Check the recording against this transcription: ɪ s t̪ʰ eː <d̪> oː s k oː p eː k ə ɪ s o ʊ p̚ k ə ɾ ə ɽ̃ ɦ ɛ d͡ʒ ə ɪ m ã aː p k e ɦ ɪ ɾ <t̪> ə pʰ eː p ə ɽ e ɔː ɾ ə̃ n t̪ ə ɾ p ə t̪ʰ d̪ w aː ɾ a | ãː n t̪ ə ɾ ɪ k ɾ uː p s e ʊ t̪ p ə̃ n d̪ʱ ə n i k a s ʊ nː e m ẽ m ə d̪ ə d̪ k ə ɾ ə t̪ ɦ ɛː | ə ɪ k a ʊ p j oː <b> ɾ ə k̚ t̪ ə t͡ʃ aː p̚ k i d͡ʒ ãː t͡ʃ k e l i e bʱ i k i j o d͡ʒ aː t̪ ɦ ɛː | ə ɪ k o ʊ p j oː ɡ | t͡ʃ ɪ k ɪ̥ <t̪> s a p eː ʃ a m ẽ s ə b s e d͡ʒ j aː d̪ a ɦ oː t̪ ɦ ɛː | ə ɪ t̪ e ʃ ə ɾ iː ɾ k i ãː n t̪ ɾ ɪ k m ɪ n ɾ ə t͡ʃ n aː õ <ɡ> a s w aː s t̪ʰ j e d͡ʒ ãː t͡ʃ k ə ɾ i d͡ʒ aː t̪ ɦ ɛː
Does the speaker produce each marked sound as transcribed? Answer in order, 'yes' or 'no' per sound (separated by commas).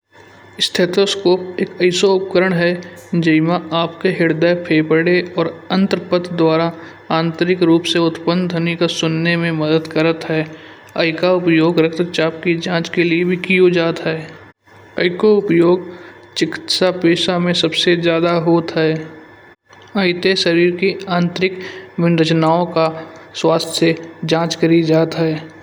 no, no, no, yes, no